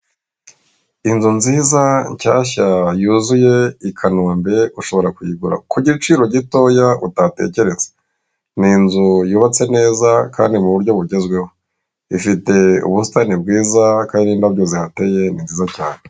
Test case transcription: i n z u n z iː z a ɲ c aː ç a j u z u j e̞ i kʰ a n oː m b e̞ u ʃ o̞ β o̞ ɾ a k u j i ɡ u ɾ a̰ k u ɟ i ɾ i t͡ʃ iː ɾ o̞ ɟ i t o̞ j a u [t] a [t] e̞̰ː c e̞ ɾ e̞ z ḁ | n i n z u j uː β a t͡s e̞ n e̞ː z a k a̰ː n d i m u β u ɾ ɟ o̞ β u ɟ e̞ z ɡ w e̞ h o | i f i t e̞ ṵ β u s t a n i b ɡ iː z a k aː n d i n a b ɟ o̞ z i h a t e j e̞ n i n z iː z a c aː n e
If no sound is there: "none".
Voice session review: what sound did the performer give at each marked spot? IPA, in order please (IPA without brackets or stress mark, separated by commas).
t, t